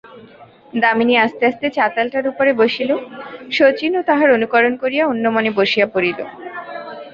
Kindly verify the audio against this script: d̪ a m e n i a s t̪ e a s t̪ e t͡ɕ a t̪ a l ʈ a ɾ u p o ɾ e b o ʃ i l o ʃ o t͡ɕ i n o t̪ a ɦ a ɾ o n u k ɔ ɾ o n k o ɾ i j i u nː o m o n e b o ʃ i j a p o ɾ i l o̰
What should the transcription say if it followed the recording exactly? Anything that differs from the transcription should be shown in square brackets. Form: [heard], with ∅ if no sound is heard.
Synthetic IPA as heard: d̪ a m [i] n i a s t̪ e a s t̪ e t͡ɕ a t̪ a l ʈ a ɾ u p o ɾ e b o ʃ i l o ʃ o t͡ɕ i n o t̪ a ɦ a ɾ o n u k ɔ ɾ o n k o ɾ i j [a] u nː o m o n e b o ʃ i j a p o ɾ i l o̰

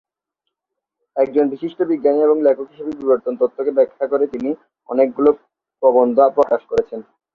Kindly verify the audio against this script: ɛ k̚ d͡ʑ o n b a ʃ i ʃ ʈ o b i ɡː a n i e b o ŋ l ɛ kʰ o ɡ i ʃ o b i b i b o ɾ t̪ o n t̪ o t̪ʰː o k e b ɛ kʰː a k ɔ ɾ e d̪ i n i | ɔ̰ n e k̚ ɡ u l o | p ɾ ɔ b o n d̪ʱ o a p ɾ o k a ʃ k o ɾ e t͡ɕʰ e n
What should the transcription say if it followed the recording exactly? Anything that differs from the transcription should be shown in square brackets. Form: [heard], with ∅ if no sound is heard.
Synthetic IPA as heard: ɛ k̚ d͡ʑ o n b [i] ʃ i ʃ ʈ o b i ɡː a n i e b o ŋ l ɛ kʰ o [k] i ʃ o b i b i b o ɾ t̪ o n t̪ o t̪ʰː o k e b ɛ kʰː a k [o] ɾ e [t̪] i n i | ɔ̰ n e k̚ ɡ u l o | p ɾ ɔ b o n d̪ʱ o a p ɾ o k a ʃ k o ɾ e t͡ɕʰ e n

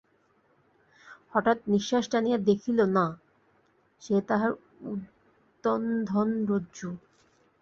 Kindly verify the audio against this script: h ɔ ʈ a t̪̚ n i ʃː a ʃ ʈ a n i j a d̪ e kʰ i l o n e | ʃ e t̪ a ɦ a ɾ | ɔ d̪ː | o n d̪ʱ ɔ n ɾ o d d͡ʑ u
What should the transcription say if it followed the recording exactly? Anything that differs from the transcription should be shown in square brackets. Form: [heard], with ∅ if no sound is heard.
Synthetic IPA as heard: h ɔ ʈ a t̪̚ n i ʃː a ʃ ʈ a n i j a d̪ e kʰ i l o n [a] | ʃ e t̪ a ɦ a ɾ | [u] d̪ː | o n d̪ʱ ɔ n ɾ o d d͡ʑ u

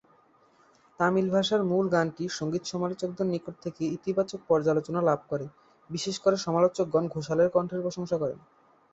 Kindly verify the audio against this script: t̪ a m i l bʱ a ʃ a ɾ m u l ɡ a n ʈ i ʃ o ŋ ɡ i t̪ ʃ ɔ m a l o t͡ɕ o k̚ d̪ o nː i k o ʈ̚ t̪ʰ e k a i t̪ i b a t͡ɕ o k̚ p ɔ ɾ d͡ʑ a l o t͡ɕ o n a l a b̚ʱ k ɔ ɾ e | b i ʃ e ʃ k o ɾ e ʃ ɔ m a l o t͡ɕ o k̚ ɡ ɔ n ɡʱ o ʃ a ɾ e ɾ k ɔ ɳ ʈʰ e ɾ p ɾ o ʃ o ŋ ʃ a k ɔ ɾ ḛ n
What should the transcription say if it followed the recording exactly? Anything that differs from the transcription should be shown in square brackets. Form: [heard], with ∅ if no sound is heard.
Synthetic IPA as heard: t̪ a m i l bʱ a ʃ a ɾ m u l ɡ a n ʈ i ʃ o ŋ ɡ i t̪ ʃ ɔ m a l o t͡ɕ o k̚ d̪ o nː i k o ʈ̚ t̪ʰ e k [e] i t̪ i b a t͡ɕ o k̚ p ɔ ɾ d͡ʑ a l o t͡ɕ o n a l a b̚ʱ k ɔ ɾ e | b i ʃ e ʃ k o ɾ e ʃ ɔ m a l o t͡ɕ o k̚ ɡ ɔ n ɡʱ o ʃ a [l] e ɾ k ɔ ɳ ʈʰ e ɾ p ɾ o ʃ o ŋ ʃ a k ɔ ɾ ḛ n

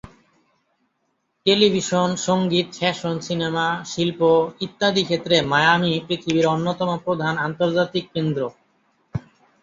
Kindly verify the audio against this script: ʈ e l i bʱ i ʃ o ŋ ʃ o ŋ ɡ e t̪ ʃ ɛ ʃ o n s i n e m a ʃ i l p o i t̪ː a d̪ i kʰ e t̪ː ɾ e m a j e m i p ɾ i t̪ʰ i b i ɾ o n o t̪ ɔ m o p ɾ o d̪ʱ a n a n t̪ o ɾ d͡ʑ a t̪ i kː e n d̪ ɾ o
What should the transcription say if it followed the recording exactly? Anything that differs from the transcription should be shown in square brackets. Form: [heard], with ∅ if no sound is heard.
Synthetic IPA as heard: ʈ e l i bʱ i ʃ o [n] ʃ o ŋ ɡ [i] t̪ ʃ ɛ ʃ o n s i n e m a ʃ i l p o i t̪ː a d̪ i kʰ e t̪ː ɾ e m a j [a] m i p ɾ i t̪ʰ i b i ɾ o [nː] o t̪ ɔ m o p ɾ o d̪ʱ a n a n t̪ o ɾ d͡ʑ a t̪ i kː e n d̪ ɾ o

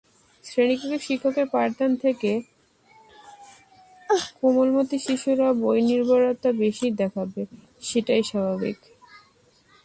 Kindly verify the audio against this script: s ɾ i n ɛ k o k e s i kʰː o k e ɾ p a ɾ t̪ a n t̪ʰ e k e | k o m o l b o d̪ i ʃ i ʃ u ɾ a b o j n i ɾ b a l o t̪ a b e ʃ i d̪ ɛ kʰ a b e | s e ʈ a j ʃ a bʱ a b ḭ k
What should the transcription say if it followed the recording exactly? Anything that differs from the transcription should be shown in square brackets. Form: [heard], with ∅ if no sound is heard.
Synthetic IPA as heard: s ɾ [e] n [i] k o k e [ʃ] i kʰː o k e ɾ p a ɾ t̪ a n t̪ʰ e k e | k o m o l [m] o [t̪] i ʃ i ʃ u ɾ a b o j n i ɾ b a [ɾ] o t̪ a b e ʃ i d̪ ɛ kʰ a b e | [ʃ] e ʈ a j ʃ a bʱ a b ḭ k

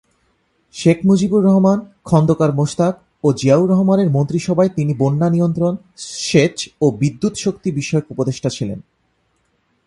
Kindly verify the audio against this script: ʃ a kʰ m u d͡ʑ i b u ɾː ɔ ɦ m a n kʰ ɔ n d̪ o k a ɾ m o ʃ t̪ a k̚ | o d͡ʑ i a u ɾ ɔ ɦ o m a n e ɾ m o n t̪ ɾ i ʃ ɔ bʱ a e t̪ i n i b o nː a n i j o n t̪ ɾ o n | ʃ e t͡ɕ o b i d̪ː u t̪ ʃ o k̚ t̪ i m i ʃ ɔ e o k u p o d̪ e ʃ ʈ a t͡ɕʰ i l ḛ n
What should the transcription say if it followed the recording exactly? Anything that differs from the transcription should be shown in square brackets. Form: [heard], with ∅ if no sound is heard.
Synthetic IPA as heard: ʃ [e] kʰ m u d͡ʑ i b u ɾː ɔ ɦ m a n kʰ ɔ n d̪ o k a ɾ m o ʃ t̪ a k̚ | o d͡ʑ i a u ɾ ɔ ɦ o m a n e ɾ m o n t̪ ɾ i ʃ ɔ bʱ a e t̪ i n i b o nː a n i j o n t̪ ɾ o n | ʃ e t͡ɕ o b i d̪ː u t̪ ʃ o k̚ t̪ i [b] i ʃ ɔ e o k u p o d̪ e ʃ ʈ a t͡ɕʰ i l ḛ n

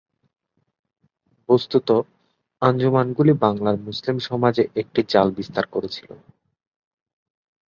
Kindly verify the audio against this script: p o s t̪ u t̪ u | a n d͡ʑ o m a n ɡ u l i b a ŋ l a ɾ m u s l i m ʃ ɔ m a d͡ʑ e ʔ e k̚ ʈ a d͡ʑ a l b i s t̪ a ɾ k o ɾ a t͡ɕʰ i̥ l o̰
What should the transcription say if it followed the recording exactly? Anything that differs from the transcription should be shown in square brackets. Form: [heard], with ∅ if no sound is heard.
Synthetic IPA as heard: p o s t̪ u t̪ [o] | a n d͡ʑ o m a n ɡ u l i b a ŋ l a ɾ m u s l i m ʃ ɔ m a d͡ʑ e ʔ e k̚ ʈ [i] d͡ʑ a l b i s t̪ a ɾ k o ɾ [e] t͡ɕʰ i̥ l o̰

